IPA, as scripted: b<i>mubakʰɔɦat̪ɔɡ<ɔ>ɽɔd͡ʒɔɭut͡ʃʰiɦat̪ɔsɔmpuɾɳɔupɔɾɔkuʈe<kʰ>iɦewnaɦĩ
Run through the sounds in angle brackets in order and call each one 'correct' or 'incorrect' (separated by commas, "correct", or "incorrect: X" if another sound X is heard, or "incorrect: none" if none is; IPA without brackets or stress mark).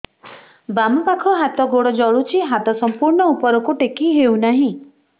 incorrect: a, incorrect: o, incorrect: k